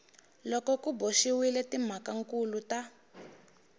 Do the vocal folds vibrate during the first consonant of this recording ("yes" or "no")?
yes